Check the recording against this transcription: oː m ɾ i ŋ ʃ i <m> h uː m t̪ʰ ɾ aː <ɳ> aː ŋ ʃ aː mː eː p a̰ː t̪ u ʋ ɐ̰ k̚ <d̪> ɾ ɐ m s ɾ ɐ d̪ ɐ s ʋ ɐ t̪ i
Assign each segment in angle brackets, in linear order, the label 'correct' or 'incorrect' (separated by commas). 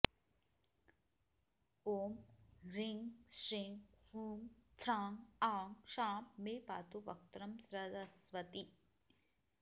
incorrect, incorrect, incorrect